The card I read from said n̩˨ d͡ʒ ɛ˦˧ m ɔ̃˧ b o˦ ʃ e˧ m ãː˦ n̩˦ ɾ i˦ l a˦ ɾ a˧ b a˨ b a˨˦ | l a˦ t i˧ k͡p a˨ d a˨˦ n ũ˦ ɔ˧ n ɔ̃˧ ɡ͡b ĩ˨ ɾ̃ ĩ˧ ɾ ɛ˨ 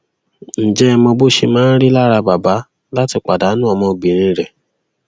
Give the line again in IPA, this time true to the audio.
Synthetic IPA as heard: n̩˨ d͡ʒ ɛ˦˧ m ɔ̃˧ b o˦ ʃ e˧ m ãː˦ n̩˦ ɾ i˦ l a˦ ɾ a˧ b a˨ b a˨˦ | l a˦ t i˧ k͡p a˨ d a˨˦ n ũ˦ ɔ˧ m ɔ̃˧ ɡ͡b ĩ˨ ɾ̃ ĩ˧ ɾ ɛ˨

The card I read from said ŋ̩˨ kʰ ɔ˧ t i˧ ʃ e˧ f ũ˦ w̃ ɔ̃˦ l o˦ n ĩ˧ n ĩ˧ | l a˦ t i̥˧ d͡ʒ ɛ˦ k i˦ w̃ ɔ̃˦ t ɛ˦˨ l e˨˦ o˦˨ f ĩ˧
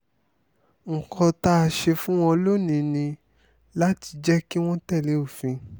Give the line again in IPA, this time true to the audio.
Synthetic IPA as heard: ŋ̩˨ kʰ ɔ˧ t a˧ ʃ e˧ f ũ˦ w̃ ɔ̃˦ l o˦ n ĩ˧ n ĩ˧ | l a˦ t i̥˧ d͡ʒ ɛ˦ k i˦ w̃ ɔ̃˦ t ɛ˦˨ l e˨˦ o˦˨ f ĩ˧

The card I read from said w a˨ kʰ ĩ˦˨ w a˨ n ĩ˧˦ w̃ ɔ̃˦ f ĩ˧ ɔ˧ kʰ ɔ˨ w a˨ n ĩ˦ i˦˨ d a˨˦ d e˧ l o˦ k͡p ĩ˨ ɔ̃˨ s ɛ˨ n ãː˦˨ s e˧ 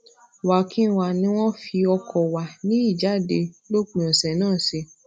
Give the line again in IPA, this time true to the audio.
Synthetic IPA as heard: w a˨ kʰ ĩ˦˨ w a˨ n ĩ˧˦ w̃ ɔ̃˦ f i˧ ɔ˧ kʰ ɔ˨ w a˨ n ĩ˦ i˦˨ d͡ʒ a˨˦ d e˧ l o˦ k͡p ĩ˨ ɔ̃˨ s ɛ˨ n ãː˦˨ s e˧

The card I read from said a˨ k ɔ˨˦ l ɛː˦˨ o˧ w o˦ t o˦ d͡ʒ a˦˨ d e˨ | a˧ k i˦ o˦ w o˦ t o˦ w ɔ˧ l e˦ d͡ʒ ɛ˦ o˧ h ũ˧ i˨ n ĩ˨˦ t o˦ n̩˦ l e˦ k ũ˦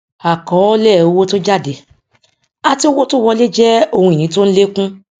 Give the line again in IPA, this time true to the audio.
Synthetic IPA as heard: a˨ k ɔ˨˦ l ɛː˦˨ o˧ w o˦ t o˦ d͡ʒ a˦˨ d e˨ | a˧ t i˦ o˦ w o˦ t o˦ w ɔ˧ l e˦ d͡ʒ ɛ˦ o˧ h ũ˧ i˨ n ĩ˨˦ t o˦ n̩˦ l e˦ k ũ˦

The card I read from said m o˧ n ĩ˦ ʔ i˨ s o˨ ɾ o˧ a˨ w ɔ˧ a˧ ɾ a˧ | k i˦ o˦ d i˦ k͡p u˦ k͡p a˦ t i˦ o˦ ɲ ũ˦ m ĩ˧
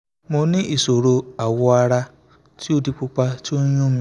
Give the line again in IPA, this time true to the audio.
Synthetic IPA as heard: m o˧ n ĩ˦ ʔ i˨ s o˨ ɾ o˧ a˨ w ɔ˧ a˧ ɾ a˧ | t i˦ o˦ d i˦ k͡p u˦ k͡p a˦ t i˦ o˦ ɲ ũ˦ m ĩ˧

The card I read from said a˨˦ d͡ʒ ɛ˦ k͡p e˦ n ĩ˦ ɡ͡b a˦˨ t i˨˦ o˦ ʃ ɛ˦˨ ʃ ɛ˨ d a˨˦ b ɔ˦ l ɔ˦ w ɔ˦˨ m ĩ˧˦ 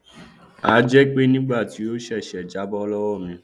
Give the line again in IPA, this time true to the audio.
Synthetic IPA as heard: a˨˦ d͡ʒ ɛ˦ k͡p e˦ n ĩ˦ ɡ͡b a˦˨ t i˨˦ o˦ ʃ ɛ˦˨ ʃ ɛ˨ d͡ʒ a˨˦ b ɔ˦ l ɔ˦ w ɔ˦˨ m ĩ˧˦

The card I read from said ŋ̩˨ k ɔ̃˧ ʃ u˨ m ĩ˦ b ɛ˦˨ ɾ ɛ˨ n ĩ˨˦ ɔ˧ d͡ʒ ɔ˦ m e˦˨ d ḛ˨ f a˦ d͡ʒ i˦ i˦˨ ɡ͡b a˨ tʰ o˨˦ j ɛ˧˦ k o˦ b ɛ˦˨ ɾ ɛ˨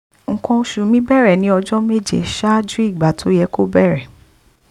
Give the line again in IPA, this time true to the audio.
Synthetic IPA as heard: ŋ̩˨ k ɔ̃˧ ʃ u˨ m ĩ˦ b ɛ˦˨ ɾ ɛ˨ n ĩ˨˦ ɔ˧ d͡ʒ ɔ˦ m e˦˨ d͡ʒ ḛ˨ ʃ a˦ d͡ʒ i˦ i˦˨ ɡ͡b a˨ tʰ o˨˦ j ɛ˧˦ k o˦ b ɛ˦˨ ɾ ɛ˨

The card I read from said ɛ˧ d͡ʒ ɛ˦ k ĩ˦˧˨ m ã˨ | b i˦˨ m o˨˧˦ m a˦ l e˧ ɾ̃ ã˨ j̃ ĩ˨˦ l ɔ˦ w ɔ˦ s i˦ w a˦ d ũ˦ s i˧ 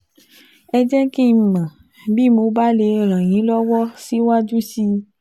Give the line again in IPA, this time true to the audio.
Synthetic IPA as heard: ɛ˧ d͡ʒ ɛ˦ k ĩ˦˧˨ m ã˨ | b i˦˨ m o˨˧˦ b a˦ l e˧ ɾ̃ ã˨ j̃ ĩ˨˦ l ɔ˦ w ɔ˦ s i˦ w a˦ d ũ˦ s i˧

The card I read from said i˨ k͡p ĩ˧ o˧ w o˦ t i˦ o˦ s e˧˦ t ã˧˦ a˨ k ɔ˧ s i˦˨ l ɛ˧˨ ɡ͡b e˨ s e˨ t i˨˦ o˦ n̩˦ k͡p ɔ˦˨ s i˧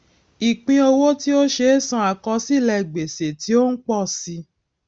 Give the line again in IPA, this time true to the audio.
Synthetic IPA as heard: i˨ k͡p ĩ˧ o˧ w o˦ t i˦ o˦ ʃ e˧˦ s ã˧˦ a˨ k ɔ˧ s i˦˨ l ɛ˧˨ ɡ͡b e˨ s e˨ t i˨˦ o˦ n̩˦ k͡p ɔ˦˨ s i˧

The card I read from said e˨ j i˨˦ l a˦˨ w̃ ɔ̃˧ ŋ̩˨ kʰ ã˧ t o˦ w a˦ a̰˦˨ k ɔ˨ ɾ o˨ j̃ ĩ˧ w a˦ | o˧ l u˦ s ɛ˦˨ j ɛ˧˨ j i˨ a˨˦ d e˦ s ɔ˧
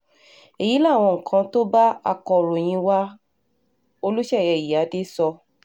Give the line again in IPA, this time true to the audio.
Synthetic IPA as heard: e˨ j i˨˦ l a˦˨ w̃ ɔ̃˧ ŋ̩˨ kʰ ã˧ t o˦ b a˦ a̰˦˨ k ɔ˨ ɾ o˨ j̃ ĩ˧ w a˦ | o˧ l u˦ ʃ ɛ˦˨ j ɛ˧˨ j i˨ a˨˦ d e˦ s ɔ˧

